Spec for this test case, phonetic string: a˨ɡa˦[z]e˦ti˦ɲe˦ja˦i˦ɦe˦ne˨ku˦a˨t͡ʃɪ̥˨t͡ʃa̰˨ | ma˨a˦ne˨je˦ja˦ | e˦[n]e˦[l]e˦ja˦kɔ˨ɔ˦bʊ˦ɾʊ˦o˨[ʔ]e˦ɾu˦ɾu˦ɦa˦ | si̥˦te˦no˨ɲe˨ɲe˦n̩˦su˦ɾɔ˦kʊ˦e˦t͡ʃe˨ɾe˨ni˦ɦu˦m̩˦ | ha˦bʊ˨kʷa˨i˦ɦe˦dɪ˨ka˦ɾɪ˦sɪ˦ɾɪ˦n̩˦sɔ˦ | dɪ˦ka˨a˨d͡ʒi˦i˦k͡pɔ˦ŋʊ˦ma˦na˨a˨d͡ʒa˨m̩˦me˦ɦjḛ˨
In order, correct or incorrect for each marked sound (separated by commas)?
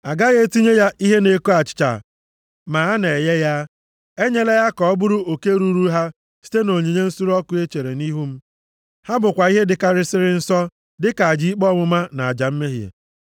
incorrect, incorrect, correct, incorrect